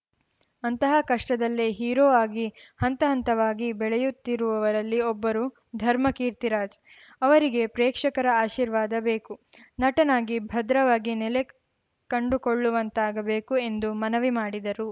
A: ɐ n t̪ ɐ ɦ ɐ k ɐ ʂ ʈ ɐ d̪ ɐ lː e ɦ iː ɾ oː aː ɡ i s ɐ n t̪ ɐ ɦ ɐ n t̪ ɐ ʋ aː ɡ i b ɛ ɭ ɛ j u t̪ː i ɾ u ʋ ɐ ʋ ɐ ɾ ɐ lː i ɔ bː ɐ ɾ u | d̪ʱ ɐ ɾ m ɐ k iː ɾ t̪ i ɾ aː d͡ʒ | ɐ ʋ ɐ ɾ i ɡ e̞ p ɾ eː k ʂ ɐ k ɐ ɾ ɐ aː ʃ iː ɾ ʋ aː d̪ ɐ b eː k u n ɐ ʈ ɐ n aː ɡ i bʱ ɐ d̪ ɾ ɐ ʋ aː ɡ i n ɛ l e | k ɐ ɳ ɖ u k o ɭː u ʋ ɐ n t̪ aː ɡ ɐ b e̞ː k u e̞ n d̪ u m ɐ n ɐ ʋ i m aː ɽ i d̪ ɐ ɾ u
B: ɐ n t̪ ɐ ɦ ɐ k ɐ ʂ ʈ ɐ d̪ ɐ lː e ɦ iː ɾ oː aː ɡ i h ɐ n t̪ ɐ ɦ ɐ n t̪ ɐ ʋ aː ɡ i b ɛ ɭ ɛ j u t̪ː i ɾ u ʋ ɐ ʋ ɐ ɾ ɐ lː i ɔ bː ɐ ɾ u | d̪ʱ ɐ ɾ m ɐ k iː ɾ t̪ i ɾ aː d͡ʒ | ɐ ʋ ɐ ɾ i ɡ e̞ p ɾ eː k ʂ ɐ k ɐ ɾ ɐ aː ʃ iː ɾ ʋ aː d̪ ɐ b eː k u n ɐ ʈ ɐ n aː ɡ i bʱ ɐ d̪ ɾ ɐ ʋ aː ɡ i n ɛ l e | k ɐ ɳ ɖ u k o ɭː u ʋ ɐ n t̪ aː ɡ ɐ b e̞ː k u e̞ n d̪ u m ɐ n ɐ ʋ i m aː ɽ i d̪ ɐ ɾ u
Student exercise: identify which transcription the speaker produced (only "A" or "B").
B